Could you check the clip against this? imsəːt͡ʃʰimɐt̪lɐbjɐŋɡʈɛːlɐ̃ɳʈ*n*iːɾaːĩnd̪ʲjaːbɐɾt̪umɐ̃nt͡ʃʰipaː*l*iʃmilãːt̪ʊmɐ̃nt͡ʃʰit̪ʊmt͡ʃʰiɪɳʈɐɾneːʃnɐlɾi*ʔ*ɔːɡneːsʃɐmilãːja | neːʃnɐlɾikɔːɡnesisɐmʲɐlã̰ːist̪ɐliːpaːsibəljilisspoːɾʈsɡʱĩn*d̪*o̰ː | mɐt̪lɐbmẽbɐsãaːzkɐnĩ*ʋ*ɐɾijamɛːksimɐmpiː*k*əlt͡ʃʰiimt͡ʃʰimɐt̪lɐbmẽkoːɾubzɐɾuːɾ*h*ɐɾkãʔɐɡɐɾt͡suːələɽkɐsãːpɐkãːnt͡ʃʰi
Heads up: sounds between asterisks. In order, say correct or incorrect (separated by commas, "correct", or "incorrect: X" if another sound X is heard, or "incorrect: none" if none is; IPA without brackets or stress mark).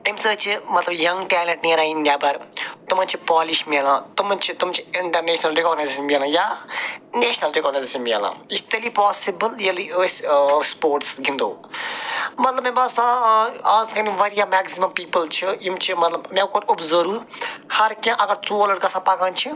correct, correct, incorrect: k, correct, correct, incorrect: p, correct